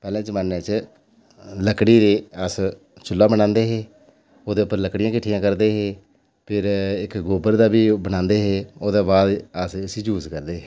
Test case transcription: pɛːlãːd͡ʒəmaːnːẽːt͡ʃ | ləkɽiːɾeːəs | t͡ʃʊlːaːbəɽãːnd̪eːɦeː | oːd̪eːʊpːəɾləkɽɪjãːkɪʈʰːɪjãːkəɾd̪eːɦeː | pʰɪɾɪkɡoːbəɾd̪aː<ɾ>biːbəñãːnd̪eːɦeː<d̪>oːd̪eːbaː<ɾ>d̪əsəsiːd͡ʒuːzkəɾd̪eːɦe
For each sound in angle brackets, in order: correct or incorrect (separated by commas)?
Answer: incorrect, incorrect, incorrect